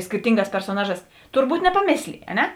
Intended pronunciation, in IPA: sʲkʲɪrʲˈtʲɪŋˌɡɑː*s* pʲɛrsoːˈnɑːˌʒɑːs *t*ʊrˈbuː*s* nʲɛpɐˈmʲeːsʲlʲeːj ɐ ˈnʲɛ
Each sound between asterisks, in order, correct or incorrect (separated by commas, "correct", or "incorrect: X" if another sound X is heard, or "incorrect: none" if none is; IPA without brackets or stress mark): correct, correct, incorrect: t